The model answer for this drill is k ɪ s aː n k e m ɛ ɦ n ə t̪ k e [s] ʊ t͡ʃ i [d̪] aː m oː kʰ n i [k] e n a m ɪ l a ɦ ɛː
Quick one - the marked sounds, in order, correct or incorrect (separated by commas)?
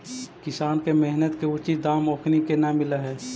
incorrect, correct, correct